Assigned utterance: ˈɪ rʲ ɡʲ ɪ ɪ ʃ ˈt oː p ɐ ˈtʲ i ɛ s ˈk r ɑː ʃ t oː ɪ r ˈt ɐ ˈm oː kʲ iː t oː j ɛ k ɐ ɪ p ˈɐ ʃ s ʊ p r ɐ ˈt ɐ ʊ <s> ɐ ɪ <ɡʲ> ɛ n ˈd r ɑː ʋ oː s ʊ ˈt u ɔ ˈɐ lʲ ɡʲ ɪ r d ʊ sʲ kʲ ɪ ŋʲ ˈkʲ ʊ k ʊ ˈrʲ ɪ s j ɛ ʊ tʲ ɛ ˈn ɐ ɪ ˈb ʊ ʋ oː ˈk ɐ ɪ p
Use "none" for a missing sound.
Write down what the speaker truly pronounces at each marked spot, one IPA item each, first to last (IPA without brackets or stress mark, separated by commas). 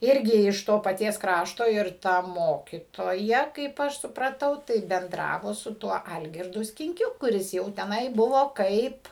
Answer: t, bʲ